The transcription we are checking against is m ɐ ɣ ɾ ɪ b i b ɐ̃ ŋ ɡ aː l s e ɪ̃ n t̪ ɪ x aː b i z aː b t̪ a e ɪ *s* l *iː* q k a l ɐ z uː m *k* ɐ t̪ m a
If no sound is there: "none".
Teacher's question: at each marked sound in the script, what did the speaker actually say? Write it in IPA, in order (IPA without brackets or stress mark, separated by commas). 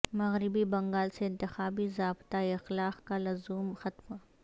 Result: x, aː, x